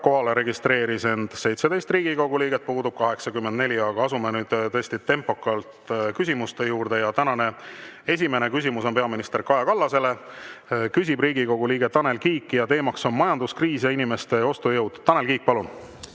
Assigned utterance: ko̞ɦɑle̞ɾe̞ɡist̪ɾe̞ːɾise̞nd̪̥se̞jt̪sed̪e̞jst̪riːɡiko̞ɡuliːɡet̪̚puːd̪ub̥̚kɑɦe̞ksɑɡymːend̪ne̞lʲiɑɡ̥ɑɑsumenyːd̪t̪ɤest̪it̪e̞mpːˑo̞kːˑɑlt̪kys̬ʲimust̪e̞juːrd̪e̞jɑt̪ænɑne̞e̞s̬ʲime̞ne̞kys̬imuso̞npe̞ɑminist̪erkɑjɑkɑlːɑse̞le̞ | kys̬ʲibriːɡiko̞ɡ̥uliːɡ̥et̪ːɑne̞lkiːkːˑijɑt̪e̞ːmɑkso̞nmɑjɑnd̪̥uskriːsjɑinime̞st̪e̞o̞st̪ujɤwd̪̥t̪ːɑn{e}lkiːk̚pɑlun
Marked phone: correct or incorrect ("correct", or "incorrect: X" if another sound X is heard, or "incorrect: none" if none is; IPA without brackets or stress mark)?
correct